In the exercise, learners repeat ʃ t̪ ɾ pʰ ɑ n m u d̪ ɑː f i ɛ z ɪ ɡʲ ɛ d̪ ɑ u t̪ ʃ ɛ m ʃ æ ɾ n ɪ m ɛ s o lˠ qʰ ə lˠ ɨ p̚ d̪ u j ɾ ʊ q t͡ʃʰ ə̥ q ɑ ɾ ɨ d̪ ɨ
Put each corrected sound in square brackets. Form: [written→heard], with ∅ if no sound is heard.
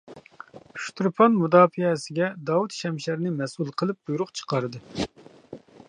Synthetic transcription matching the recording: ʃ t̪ ɾ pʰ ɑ n m u d̪ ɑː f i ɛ [z→s] ɪ ɡʲ ɛ d̪ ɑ u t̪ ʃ ɛ m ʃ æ ɾ n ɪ m ɛ s [o→u] lˠ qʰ ə lˠ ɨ p̚ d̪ u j ɾ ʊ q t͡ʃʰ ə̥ q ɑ ɾ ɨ d̪ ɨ

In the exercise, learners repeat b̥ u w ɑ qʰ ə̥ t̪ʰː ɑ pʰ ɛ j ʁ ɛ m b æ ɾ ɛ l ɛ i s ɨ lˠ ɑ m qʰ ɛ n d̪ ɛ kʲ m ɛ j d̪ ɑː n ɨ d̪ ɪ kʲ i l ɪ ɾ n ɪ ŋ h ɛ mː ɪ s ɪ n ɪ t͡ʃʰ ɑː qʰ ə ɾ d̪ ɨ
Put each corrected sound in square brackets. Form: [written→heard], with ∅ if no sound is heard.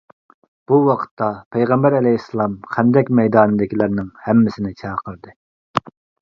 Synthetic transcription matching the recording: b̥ u w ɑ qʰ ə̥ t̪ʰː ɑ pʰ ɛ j ʁ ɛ m b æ ɾ ɛ l ɛ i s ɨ lˠ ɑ m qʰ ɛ n d̪ ɛ kʲ m ɛ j d̪ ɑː n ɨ d̪ ɪ kʲ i l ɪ ɾ n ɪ ŋ h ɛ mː ɪ s ɪ n ɪ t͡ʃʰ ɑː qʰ ə ɾ d̪ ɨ

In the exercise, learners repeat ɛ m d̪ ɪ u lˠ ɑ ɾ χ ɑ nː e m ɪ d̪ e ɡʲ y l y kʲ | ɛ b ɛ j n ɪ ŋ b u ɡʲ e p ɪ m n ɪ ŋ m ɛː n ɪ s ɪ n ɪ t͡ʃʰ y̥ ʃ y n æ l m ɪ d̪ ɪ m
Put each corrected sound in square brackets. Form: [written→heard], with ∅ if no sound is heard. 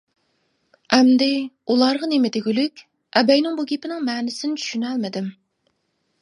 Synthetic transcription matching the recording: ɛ m d̪ ɪ u lˠ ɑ ɾ [χ→ʁ] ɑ [nː→n] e m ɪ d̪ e ɡʲ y l y kʲ | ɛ b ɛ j n ɪ ŋ b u ɡʲ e p ɪ [m→∅] n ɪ ŋ m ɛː n ɪ s ɪ n ɪ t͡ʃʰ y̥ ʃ y n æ l m ɪ d̪ ɪ m

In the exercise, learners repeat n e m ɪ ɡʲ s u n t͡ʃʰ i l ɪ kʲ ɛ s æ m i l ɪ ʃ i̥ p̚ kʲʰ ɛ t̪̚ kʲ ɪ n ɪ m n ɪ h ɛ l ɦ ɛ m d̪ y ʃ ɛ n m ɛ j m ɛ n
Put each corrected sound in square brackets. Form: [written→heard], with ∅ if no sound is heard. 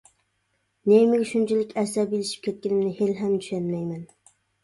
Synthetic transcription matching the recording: n e m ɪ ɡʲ [s→ʃ] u n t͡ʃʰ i l ɪ kʲ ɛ s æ [m→b] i l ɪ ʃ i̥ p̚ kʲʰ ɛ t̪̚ kʲ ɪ n ɪ m n ɪ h [ɛ→e] l ɦ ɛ m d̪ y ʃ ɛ n m ɛ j m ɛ n

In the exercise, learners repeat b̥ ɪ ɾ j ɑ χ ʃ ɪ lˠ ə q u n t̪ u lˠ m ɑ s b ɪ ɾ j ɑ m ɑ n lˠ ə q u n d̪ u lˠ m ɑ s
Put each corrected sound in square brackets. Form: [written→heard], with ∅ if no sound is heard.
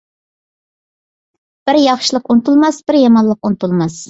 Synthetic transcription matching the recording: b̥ ɪ ɾ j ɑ χ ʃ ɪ lˠ ə q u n t̪ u lˠ m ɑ s b ɪ ɾ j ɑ m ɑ n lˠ ə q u n [d̪→t̪] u lˠ m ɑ s

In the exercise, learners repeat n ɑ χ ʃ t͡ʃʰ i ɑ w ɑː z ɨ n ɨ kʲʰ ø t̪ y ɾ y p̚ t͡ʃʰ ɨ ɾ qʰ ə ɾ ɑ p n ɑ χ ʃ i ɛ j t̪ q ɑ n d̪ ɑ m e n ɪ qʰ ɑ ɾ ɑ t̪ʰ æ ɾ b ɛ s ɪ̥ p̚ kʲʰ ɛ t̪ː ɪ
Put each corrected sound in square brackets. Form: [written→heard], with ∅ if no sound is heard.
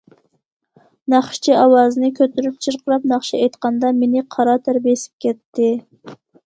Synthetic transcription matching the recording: n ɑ χ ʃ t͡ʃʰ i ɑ w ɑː z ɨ n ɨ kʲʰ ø t̪ y ɾ y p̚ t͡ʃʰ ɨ ɾ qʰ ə ɾ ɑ p n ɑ χ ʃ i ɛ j t̪ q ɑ n d̪ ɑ m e n ɪ qʰ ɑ ɾ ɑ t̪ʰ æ ɾ b [ɛ→e] s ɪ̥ p̚ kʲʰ ɛ t̪ː ɪ

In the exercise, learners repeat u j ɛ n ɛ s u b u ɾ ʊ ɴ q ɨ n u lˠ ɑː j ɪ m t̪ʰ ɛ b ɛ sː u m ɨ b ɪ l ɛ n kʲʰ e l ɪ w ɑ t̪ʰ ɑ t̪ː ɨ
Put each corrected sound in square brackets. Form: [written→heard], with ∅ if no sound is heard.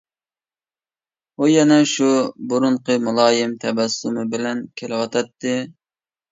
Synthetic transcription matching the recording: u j ɛ n ɛ [s→ʃ] u b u ɾ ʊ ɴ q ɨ [n→m] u lˠ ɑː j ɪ m t̪ʰ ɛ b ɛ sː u m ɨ b ɪ l ɛ n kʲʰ e l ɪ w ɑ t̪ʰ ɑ t̪ː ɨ

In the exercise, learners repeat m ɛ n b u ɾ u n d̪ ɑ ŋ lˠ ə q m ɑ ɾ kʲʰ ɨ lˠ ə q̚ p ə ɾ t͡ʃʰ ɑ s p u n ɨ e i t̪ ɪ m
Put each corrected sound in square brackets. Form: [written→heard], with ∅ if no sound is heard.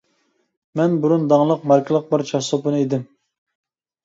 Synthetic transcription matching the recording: m ɛ n b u ɾ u n d̪ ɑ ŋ lˠ ə q m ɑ ɾ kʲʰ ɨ lˠ ə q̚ [p→b] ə ɾ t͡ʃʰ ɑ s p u n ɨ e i [t̪→d̪] ɪ m

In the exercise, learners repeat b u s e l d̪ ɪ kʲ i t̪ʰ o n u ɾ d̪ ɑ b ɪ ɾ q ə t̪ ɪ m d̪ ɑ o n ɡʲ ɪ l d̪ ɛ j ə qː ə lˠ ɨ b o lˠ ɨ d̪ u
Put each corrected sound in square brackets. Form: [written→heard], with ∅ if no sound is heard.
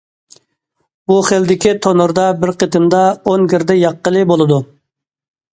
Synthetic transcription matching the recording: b u [s→χ] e l d̪ ɪ kʲ i t̪ʰ o n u ɾ d̪ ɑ b ɪ ɾ q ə t̪ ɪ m d̪ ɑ o n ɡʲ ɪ [l→ɾ] d̪ ɛ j [ə→ɑ] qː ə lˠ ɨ b o lˠ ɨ d̪ u

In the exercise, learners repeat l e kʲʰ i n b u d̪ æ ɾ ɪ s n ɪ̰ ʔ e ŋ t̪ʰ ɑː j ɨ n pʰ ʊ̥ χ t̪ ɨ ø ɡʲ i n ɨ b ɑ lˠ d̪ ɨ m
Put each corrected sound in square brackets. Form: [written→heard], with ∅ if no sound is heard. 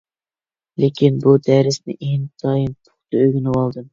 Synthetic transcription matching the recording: l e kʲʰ i n b u d̪ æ ɾ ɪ s n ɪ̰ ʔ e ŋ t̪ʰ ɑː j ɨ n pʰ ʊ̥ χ t̪ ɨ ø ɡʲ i n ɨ [b→w] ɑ lˠ d̪ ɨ m

